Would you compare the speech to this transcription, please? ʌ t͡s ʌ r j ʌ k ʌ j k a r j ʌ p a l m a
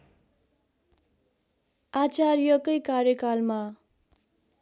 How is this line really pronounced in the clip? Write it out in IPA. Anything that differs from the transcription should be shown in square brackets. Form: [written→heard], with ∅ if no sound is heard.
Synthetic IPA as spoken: [ʌ→a] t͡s [ʌ→a] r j ʌ k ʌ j k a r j ʌ [p→k] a l m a